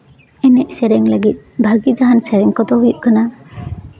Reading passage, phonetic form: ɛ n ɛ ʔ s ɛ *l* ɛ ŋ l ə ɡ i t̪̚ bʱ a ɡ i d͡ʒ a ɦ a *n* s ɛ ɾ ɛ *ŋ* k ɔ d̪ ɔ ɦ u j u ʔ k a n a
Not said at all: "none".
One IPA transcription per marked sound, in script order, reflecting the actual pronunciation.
ɾ, n, ŋ

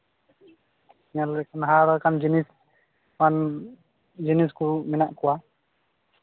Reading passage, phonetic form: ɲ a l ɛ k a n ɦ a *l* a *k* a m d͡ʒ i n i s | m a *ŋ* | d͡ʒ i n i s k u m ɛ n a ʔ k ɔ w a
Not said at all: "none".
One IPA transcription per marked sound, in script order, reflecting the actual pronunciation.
ɾ, k, n

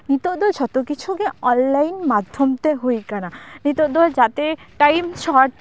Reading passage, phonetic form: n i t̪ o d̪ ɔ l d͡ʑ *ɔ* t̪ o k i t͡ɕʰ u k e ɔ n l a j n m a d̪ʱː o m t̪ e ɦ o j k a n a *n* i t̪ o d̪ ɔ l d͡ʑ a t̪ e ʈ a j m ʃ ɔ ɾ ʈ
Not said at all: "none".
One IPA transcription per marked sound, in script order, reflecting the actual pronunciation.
ɔ, n

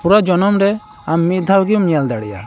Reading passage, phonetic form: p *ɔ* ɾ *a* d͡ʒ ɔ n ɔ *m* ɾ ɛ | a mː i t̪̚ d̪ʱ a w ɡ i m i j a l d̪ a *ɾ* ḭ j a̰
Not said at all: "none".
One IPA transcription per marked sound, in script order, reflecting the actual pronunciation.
u, a, m, ɽ

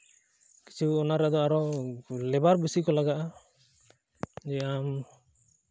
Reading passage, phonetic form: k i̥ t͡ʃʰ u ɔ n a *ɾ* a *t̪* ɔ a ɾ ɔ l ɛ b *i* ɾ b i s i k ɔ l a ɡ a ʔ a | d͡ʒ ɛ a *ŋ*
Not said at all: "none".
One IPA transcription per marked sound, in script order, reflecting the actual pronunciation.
ɾ, d̪, a, m

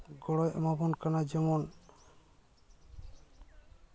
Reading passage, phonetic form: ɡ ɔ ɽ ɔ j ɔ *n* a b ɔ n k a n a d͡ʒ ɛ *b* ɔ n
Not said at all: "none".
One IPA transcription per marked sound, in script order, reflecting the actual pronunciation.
m, m

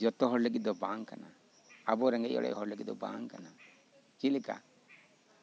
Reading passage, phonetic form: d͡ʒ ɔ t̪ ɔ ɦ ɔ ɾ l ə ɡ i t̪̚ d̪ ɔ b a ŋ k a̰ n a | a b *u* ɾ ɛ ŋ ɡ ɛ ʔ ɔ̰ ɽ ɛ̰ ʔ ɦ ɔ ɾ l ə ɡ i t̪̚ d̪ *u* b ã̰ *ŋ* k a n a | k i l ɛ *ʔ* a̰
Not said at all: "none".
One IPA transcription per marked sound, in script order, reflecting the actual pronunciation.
ɔ, ɔ, ŋ, k

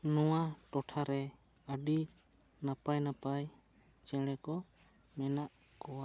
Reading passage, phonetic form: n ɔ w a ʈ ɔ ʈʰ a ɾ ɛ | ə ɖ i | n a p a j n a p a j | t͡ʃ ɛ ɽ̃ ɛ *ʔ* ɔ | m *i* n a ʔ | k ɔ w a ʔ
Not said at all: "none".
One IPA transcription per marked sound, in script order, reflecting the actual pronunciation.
k, ɛ

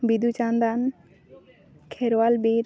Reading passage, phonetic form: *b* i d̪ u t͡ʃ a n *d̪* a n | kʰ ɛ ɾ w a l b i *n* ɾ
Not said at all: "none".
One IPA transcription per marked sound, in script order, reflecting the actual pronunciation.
b, d̪, none

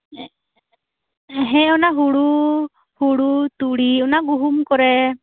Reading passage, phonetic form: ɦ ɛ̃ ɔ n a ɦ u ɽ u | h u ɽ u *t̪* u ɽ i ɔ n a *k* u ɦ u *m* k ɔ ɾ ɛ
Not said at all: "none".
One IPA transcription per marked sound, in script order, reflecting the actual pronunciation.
t̪, ɡ, m

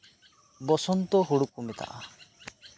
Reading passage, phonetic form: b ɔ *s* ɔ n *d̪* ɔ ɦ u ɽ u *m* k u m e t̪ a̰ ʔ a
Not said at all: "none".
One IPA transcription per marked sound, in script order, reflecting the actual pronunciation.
s, t̪, none

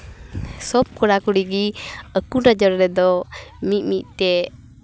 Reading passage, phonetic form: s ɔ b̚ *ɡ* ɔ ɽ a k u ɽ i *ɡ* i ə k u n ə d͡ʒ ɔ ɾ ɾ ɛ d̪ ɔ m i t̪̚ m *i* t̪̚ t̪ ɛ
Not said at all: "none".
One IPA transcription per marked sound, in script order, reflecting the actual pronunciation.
k, ɡ, i

